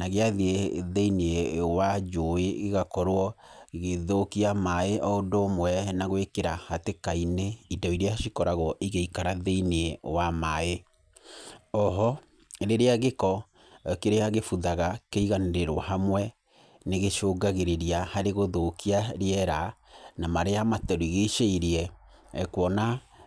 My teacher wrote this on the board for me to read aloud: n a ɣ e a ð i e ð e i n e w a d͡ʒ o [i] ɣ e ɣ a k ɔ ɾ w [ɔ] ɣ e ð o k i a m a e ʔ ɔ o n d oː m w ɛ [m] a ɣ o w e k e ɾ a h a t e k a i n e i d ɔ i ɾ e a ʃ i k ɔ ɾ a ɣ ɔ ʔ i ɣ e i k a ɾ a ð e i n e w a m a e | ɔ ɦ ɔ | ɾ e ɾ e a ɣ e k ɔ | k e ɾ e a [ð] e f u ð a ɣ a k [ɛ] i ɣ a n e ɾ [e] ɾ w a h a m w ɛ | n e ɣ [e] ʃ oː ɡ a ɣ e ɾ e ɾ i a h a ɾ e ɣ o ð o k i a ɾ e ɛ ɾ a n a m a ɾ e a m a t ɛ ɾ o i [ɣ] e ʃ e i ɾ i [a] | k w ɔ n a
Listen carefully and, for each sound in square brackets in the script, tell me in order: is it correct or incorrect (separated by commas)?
incorrect, correct, incorrect, incorrect, incorrect, correct, correct, correct, incorrect